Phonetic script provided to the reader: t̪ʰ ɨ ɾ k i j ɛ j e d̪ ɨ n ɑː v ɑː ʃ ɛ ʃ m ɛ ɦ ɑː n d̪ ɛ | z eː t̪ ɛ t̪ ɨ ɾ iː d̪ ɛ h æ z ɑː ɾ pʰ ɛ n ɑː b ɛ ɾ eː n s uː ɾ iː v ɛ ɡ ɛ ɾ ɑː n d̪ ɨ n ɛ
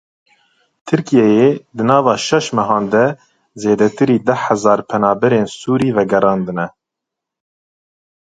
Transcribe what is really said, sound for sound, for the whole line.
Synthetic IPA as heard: t̪ʰ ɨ ɾ k i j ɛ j e d̪ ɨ n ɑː v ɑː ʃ ɛ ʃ m ɛ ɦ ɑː n d̪ ɛ | z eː d̪ ɛ t̪ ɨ ɾ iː d̪ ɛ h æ z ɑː ɾ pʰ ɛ n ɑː b ɛ ɾ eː n s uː ɾ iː v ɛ ɡ ɛ ɾ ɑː n d̪ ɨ n ɛ